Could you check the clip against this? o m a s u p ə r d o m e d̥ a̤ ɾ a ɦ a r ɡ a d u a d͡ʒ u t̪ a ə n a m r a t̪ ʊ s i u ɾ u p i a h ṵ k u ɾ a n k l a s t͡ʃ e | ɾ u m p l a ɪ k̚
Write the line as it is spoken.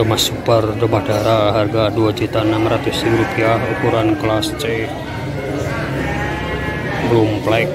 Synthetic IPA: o m a s u p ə r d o m a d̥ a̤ ɾ a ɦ a r ɡ a d u a d͡ʒ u t̪ a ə n a m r a t̪ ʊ s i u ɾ u p i a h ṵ k u ɾ a n k l a s t͡ʃ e | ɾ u m p l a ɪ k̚